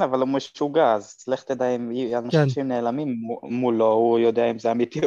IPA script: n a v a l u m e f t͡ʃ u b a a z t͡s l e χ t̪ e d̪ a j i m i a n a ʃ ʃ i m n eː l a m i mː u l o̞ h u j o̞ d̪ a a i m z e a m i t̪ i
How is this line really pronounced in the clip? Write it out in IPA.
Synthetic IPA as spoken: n a v a l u m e ʃ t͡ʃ u ɡ a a z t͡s l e χ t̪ e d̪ a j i m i a n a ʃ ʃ i m n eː l a m i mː u l o̞ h u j o̞ d̪ e a i m z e a m i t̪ i